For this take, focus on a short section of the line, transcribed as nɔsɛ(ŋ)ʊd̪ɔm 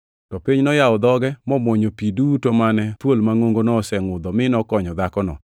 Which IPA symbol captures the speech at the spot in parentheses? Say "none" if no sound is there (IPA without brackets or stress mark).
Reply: ŋ